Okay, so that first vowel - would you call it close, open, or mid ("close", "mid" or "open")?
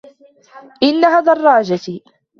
close